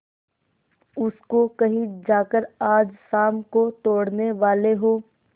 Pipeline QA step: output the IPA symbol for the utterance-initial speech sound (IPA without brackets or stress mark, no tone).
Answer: ʊ